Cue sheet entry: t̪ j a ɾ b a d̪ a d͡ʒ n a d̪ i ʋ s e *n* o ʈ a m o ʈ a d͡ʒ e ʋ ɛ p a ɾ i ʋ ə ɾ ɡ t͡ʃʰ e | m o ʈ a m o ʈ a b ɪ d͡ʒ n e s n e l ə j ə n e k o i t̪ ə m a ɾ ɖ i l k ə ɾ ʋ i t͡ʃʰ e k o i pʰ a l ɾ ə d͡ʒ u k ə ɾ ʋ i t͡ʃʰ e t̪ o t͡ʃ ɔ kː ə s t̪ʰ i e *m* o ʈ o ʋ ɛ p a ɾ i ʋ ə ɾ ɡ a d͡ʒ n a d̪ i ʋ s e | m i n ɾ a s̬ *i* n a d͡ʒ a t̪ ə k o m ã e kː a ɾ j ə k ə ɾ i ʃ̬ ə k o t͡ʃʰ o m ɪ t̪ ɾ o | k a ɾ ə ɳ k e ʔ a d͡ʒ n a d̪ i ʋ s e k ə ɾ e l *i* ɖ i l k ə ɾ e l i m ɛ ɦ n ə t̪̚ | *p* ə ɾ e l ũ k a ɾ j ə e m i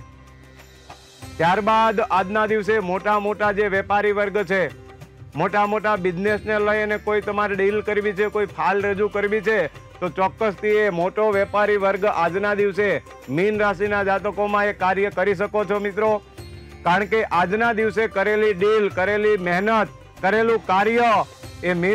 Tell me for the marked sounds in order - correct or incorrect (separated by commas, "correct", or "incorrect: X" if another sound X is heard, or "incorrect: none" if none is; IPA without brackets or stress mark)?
incorrect: m, correct, correct, correct, incorrect: k